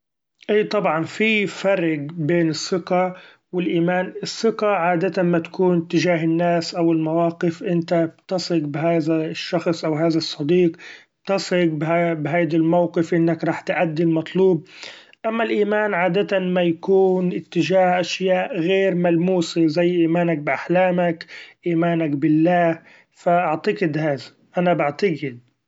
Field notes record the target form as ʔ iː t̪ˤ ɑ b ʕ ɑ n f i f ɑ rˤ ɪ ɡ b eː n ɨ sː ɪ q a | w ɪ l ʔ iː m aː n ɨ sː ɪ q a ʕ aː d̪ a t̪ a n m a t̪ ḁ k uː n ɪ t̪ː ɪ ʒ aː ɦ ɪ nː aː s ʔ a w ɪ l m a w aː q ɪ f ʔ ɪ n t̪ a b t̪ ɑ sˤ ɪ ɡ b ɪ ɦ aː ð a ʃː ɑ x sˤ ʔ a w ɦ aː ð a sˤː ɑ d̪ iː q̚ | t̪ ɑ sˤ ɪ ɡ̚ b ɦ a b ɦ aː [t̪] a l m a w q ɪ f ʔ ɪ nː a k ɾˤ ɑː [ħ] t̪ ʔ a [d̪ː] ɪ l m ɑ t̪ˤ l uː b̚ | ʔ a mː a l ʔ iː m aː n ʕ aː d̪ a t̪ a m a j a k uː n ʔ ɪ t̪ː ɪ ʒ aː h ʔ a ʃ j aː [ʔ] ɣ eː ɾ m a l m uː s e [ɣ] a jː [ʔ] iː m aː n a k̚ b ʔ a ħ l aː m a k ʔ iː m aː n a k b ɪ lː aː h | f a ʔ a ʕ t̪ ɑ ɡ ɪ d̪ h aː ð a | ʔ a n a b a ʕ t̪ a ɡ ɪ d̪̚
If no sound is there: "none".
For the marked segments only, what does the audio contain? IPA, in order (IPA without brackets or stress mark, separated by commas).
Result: d̪, ħ, d̪ː, ʔ, z, ʔ